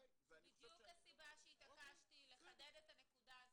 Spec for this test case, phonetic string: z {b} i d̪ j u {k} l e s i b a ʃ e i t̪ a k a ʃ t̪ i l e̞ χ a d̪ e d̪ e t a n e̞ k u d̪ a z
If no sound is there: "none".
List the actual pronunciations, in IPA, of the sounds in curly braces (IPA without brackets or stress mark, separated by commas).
b, k